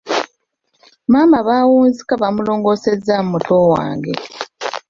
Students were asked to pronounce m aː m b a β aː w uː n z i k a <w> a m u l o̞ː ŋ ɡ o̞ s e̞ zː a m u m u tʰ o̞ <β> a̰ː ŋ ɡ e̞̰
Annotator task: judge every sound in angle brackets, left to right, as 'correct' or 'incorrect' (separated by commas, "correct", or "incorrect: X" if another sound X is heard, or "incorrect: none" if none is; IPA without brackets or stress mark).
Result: incorrect: β, incorrect: w